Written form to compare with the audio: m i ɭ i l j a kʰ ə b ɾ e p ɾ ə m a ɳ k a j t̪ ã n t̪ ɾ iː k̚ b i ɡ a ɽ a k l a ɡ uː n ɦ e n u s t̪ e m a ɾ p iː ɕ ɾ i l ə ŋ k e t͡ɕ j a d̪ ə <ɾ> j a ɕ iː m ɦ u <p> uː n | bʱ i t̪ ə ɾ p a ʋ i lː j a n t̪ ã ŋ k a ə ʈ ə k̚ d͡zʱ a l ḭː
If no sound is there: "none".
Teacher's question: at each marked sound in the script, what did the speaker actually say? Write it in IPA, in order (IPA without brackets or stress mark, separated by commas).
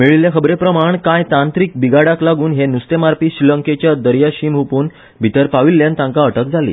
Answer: ɾ, p